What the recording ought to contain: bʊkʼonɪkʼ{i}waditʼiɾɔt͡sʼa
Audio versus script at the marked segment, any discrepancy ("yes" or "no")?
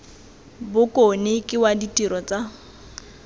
yes